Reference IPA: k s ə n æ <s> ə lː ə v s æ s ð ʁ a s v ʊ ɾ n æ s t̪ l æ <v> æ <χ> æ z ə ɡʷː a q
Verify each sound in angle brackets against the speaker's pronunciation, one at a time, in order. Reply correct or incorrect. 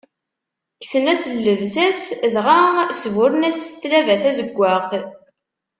correct, correct, incorrect: θ

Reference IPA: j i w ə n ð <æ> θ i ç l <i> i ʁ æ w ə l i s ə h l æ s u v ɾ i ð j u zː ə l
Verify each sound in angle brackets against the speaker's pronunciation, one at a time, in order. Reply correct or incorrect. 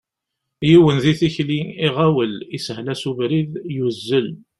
incorrect: i, correct

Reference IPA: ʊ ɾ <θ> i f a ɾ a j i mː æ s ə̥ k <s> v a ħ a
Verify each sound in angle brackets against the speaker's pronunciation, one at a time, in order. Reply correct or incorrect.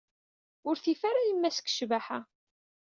correct, incorrect: ʃ

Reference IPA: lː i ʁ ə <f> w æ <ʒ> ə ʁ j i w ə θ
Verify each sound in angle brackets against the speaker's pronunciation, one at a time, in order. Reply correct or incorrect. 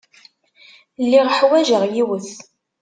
incorrect: ħ, correct

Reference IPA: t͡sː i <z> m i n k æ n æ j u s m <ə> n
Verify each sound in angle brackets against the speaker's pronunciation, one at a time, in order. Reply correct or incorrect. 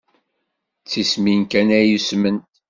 incorrect: s, correct

